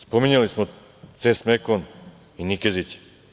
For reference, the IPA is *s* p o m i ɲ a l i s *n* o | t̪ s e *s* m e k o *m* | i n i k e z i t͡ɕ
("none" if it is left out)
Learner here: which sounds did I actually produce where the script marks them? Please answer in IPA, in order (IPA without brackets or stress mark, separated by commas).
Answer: s, m, s, n